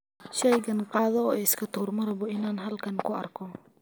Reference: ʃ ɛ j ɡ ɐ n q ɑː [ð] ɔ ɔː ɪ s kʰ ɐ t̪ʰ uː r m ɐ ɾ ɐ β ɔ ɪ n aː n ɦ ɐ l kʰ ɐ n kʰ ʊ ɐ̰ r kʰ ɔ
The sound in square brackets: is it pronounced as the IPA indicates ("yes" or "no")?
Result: yes